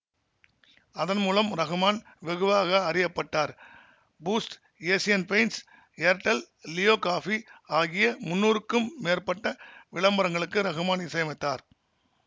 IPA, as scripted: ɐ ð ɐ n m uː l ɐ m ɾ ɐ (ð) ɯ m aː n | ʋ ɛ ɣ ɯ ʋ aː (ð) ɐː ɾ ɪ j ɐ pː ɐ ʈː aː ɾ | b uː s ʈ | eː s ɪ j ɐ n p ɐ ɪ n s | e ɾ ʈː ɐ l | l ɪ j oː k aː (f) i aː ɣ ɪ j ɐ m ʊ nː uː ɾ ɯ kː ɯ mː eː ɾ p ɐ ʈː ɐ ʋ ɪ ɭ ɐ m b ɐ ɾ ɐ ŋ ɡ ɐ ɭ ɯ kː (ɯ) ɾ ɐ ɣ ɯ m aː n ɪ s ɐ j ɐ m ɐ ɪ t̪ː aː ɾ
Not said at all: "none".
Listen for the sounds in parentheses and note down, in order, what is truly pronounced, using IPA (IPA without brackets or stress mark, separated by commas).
ɣ, ɣ, f, ɯ